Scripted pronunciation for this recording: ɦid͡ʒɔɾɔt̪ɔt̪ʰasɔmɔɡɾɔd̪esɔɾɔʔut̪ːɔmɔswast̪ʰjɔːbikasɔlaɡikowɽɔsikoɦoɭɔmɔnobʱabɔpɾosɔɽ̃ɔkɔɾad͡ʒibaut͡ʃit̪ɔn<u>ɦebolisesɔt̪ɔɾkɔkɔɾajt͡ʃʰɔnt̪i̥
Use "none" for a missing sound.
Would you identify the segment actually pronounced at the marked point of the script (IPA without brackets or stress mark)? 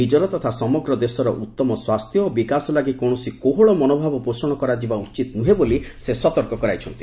u